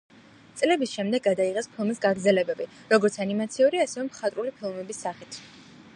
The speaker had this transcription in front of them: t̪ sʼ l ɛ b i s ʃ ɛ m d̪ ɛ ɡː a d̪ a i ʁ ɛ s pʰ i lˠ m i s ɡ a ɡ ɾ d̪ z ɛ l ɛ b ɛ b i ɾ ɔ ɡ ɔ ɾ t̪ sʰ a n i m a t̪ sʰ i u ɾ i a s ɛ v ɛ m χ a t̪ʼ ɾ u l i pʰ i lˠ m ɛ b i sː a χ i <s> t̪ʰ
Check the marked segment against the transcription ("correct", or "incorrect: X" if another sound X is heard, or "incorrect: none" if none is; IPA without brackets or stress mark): incorrect: none